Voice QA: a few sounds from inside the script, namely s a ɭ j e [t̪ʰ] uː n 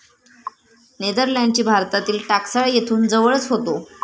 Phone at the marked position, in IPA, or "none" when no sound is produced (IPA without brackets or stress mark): t̪ʰ